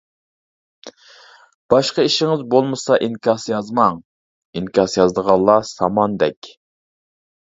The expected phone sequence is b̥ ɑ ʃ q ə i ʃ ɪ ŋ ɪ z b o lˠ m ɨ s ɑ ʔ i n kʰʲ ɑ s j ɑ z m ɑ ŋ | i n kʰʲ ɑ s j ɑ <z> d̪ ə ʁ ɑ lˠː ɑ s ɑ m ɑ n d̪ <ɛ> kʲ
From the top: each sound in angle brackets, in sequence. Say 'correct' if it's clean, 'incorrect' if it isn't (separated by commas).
correct, correct